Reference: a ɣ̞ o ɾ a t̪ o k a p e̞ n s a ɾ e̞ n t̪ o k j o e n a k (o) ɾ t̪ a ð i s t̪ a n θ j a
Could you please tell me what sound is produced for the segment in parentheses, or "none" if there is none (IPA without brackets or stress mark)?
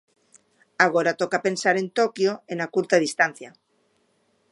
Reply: u